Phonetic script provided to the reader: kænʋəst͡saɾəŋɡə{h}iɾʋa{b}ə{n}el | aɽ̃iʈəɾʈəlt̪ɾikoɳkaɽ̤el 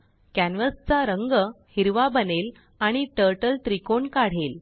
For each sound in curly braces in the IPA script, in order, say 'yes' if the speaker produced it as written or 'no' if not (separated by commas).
yes, yes, yes